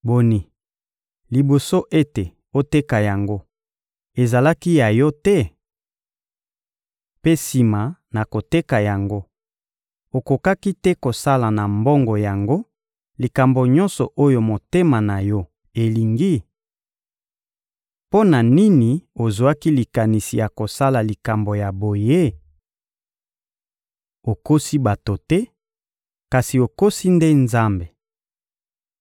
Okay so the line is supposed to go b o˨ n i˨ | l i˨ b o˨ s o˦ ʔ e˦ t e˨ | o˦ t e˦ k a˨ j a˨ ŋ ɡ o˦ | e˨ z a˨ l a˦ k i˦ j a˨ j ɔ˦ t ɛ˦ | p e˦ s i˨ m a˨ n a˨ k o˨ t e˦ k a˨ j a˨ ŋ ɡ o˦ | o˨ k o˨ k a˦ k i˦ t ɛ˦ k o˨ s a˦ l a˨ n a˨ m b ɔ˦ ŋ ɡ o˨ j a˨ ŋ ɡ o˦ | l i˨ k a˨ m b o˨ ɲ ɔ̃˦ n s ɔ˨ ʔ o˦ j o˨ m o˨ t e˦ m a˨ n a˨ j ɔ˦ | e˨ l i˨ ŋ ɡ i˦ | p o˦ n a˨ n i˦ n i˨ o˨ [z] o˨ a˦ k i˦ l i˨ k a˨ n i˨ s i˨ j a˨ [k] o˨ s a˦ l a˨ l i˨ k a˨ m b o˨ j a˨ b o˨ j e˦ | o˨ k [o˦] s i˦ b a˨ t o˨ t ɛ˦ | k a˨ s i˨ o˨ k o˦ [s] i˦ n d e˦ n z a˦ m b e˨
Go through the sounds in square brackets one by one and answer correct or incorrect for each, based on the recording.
correct, correct, correct, correct

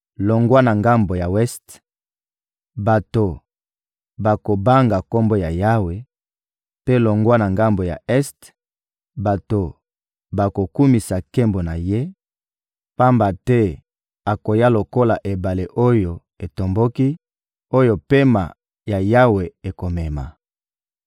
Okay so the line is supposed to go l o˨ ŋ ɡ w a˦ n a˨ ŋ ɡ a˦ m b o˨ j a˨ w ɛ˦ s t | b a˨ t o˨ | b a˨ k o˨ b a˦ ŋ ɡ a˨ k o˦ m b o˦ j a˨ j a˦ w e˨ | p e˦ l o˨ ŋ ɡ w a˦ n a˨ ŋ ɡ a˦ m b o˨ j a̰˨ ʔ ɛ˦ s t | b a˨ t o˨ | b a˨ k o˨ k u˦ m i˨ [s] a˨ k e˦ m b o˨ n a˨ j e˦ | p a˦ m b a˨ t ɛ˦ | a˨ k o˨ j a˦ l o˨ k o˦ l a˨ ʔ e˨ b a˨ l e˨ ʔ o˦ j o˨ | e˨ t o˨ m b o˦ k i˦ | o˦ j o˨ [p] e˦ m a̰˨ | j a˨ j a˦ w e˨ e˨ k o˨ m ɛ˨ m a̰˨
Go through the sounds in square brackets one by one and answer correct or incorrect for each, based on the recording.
correct, correct

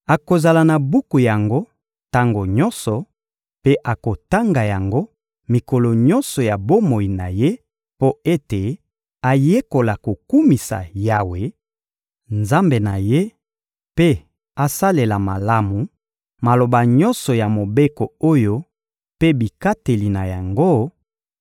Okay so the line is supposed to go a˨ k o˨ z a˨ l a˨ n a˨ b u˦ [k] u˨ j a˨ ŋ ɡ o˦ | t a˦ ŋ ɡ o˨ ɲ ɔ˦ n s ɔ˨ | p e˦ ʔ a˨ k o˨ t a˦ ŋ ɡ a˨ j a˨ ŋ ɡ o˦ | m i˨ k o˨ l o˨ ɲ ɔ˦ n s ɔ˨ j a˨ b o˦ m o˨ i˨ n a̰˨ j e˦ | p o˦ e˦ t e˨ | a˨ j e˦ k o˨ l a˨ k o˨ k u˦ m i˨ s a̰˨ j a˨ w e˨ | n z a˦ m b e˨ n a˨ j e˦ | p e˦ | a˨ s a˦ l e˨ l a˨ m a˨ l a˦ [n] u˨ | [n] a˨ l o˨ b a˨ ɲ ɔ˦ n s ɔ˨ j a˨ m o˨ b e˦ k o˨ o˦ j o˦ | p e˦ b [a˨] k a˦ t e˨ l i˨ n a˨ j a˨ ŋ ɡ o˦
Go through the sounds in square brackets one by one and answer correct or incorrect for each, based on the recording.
correct, incorrect, incorrect, incorrect

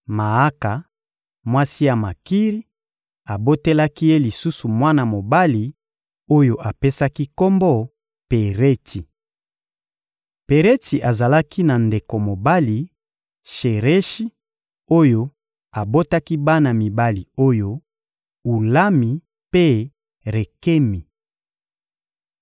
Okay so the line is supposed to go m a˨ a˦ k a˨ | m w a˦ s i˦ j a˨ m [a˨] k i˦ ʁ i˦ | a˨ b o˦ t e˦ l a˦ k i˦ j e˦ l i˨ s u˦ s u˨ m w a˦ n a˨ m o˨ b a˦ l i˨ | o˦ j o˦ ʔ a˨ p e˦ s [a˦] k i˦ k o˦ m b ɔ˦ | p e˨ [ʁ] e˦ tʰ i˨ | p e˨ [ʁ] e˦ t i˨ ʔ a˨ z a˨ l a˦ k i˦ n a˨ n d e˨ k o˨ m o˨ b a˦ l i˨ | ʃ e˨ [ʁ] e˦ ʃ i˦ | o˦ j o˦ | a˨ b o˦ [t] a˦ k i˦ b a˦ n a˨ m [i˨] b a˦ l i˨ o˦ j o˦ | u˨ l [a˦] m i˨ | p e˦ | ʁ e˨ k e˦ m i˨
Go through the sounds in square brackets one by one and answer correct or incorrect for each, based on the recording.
correct, correct, correct, correct, correct, correct, correct, correct

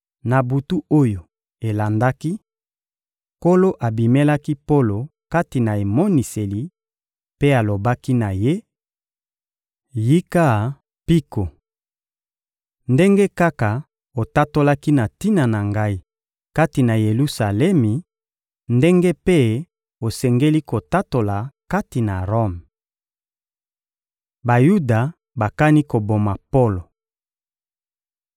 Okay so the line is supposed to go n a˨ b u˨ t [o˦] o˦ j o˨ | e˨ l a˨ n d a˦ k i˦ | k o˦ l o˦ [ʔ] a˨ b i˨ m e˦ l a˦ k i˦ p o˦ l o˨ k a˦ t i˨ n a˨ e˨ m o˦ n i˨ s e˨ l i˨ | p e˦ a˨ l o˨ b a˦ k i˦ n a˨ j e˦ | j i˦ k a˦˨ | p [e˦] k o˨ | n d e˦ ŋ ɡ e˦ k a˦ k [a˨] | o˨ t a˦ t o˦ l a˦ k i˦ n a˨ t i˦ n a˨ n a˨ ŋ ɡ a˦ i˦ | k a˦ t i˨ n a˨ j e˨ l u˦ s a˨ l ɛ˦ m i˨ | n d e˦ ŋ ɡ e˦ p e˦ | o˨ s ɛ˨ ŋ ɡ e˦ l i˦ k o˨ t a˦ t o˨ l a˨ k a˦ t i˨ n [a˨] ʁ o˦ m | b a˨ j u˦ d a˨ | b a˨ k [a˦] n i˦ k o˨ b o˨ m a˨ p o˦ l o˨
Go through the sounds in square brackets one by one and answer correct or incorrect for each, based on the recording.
incorrect, correct, incorrect, correct, correct, correct

